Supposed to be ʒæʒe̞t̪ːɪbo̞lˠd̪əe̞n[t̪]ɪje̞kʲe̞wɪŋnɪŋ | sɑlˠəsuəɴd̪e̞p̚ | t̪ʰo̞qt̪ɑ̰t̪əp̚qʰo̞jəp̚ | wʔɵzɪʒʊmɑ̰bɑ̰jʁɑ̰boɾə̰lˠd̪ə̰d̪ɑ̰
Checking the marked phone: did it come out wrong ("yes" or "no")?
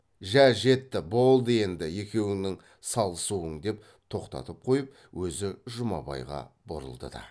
yes